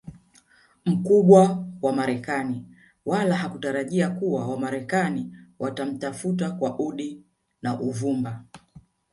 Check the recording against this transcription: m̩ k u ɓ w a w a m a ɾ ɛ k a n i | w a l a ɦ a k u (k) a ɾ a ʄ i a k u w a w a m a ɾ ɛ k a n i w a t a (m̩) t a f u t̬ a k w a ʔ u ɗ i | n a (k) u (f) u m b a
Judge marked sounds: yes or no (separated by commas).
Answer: no, yes, no, no